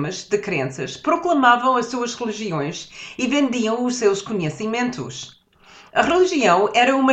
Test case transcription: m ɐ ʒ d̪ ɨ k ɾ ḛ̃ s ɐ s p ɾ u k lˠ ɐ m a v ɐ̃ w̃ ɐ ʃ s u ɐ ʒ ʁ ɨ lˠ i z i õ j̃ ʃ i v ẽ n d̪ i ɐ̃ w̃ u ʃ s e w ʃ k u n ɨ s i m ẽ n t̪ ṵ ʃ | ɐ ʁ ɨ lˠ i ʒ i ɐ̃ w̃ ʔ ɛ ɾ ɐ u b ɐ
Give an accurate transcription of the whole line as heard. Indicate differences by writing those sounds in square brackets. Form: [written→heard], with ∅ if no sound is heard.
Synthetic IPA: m ɐ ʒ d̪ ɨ k ɾ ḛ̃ s ɐ [s→ʃ] p ɾ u k lˠ ɐ m a v ɐ̃ w̃ ɐ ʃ s u ɐ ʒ ʁ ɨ lˠ i [z→ʒ] i õ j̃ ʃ i v ẽ n d̪ i ɐ̃ w̃ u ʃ s e w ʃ k u [n→ɲ] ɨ s i m ẽ n t̪ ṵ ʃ | ɐ ʁ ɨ lˠ i ʒ i ɐ̃ w̃ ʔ ɛ ɾ ɐ u [b→m] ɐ